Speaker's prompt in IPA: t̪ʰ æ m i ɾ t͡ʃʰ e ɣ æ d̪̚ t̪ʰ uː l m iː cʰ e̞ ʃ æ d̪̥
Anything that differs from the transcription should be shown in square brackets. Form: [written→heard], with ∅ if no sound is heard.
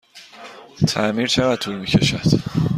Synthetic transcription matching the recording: t̪ʰ æ m i ɾ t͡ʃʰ e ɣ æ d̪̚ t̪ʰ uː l m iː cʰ e̞ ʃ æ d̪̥

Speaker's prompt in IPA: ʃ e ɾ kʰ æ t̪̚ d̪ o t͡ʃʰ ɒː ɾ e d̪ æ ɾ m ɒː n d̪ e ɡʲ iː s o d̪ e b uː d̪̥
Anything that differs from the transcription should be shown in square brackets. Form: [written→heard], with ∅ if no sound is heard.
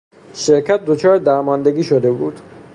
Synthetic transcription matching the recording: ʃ e ɾ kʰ æ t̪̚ d̪ o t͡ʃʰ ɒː ɾ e d̪ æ ɾ m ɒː n d̪ e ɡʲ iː [s→ʃ] o d̪ e b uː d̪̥

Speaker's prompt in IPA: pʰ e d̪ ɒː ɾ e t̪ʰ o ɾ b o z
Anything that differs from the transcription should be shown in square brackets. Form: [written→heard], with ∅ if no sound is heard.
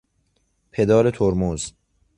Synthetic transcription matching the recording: pʰ e d̪ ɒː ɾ e t̪ʰ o ɾ [b→m] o z

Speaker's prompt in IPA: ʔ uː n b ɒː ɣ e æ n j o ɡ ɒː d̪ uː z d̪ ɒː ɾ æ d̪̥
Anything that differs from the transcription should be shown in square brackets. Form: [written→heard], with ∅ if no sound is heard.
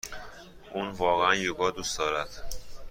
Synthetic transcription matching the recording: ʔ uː n [b→v] ɒː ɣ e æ n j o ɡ ɒː d̪ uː [z→s] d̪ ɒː ɾ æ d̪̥

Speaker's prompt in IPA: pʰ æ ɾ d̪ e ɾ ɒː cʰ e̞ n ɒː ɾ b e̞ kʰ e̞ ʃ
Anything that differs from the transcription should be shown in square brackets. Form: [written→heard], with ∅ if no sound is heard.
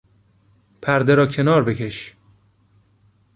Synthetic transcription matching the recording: pʰ æ ɾ d̪ e ɾ ɒː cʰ e̞ n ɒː ɾ b e̞ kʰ e̞ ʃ

